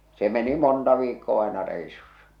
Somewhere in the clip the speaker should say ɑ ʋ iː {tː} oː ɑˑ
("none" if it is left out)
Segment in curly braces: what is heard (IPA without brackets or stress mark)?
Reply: kː